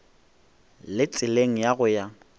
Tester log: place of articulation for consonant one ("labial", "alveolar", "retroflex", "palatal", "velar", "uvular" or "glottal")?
alveolar